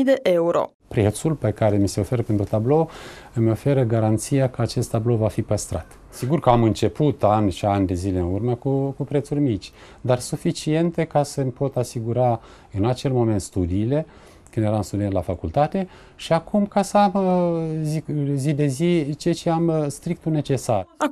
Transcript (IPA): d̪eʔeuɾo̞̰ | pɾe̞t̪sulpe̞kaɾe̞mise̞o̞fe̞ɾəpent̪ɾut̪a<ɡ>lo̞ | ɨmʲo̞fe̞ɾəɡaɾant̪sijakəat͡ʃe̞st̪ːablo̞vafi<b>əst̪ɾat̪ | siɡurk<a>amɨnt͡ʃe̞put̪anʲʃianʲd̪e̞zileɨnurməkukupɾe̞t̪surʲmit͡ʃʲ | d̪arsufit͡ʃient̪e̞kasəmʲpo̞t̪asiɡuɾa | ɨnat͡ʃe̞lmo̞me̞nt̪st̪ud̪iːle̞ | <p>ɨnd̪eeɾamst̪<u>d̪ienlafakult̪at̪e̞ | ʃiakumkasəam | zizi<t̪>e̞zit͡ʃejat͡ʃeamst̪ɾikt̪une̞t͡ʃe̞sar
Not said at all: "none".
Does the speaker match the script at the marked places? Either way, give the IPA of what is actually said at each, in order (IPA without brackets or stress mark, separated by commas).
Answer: b, p, ə, k, u, d̪